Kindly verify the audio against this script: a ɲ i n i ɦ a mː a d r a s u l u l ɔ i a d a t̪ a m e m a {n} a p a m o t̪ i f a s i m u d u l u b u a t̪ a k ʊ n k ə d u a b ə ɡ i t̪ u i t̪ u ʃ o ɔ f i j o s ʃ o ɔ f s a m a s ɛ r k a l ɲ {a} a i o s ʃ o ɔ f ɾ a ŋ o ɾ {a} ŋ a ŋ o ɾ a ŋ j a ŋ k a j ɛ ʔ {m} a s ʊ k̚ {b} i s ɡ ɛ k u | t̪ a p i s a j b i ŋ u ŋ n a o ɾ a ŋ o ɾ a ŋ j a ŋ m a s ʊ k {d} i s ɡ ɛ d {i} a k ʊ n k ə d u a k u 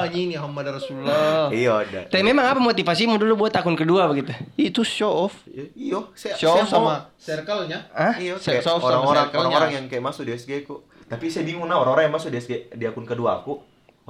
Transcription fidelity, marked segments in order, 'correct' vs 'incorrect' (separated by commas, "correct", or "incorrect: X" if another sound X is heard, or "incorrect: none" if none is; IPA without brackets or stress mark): incorrect: ŋ, correct, correct, correct, incorrect: d, correct, correct